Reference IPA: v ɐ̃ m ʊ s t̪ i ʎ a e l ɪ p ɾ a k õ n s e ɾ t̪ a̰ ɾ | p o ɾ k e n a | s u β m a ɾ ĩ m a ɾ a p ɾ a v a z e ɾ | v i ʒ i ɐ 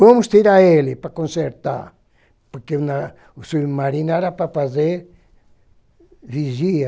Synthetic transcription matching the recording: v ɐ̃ m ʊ s t̪ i ɾ a e l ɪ p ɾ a k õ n s e ɾ t̪ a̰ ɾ | p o ɾ k e n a | s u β m a ɾ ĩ n a ɾ a p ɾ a f a z e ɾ | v i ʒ i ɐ